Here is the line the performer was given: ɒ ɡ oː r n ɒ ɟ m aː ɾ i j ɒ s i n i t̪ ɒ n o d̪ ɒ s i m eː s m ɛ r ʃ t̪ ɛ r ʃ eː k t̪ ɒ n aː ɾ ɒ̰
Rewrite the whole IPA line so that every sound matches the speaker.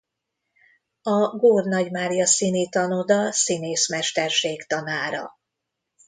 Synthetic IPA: ɒ ɡ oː r n ɒ ɟ m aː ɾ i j ɒ s i n i t̪ ɒ n o d̪ ɒ s i n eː s m ɛ r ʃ t̪ ɛ r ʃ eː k t̪ ɒ n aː ɾ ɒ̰